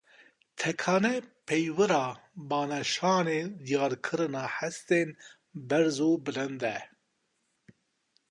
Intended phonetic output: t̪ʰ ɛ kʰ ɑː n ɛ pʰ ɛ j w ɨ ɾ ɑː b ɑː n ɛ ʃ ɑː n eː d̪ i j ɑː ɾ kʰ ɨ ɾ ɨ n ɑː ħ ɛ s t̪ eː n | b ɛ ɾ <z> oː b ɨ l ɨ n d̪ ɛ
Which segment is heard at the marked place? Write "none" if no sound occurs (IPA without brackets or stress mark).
z